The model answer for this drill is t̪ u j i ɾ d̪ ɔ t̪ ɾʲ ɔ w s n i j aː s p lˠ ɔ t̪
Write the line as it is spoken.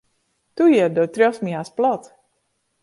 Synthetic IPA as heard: t̪ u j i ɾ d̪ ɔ t̪ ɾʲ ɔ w s m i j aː s p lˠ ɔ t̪